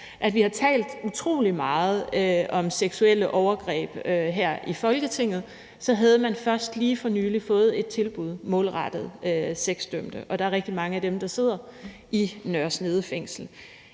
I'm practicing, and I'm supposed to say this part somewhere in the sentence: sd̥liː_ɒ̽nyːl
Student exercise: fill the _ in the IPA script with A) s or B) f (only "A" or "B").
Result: B